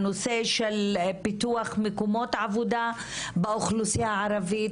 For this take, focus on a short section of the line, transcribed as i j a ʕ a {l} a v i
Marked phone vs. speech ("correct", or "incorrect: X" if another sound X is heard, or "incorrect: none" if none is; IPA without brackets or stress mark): incorrect: ɾ